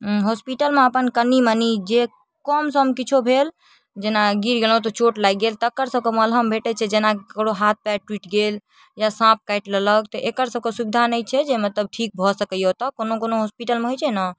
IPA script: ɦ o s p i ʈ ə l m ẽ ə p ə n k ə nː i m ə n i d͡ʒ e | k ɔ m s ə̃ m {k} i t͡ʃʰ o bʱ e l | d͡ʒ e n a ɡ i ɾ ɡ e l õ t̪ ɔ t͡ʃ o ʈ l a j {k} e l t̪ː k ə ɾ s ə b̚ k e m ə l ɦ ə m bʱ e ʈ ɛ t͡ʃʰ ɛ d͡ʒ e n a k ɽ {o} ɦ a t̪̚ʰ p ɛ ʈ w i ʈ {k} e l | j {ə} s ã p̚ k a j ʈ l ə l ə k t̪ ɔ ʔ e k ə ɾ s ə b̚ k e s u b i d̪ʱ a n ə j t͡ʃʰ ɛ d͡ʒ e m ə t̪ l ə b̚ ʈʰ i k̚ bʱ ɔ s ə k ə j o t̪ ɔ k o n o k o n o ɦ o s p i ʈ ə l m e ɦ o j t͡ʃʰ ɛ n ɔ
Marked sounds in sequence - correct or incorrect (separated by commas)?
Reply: correct, incorrect, correct, incorrect, incorrect